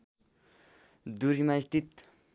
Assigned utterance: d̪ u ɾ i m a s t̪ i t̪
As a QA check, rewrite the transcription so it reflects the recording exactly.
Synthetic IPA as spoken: d̪ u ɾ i m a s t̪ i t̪